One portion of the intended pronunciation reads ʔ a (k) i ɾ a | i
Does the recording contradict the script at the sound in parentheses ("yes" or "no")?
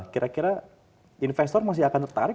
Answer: no